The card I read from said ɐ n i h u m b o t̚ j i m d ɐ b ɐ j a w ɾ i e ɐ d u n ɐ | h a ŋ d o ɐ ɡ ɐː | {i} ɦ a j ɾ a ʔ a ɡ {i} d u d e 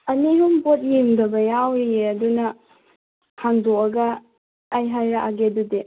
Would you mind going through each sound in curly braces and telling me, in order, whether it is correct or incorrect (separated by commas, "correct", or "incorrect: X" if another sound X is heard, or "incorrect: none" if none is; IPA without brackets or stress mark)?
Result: incorrect: j, incorrect: e